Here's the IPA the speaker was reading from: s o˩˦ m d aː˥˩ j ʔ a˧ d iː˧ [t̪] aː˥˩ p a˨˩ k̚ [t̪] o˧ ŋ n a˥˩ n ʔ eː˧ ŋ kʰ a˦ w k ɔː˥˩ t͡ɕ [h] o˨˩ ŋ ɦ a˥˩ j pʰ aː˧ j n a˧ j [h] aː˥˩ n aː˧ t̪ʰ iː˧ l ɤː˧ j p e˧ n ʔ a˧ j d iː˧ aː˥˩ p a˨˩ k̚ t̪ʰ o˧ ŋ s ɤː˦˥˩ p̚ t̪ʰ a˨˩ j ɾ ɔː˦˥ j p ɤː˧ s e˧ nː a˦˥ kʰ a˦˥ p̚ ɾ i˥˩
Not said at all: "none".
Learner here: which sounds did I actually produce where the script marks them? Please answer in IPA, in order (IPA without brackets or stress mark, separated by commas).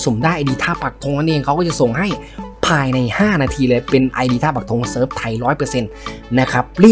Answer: t̪ʰ, t̪ʰ, s, h